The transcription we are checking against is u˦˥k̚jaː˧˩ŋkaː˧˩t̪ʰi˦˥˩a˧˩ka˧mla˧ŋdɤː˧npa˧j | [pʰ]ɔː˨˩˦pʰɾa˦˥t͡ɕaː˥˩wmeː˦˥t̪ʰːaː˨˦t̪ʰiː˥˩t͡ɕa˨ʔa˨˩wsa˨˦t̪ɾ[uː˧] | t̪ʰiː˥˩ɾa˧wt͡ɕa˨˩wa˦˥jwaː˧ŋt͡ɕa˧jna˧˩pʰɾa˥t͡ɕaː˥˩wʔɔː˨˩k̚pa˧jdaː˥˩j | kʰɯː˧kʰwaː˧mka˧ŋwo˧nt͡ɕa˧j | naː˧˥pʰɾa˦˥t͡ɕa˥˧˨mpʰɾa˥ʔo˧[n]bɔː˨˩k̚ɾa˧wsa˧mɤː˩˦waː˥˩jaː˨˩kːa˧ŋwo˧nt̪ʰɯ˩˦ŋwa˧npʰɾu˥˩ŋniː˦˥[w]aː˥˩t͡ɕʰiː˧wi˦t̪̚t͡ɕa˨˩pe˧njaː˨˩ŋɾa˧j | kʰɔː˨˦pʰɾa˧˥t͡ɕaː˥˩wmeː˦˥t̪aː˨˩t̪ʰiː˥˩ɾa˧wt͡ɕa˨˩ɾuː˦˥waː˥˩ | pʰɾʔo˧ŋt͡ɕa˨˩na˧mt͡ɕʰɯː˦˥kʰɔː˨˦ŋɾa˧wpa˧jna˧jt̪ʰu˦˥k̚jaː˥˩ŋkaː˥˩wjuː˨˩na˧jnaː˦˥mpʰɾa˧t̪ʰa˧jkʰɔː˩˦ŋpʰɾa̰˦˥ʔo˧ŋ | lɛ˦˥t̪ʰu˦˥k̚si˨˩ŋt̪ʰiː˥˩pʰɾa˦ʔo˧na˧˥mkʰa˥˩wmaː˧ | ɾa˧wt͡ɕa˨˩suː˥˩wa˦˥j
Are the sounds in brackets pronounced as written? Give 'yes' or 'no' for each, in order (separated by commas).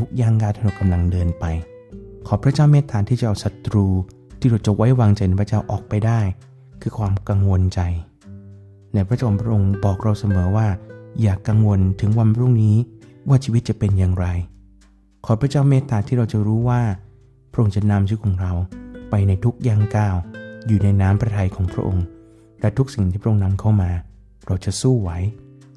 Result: no, yes, no, yes